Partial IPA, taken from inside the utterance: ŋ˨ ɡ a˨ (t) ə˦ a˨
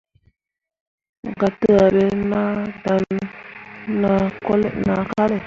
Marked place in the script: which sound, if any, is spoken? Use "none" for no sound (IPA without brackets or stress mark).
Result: t